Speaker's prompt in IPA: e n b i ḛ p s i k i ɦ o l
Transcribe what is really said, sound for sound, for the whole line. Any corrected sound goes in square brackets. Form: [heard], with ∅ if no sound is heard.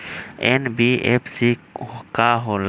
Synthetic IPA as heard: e n b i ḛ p s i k [a] ɦ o l